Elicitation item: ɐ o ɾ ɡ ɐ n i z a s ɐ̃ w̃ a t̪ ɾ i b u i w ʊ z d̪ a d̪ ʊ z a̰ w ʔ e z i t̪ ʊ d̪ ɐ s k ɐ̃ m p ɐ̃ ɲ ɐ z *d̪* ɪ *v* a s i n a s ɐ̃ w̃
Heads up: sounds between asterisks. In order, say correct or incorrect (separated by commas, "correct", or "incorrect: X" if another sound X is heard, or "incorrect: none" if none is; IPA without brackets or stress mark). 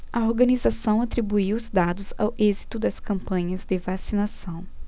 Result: correct, correct